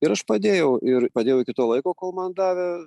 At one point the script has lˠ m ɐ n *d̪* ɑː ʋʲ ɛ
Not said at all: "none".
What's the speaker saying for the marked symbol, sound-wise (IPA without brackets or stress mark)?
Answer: d̪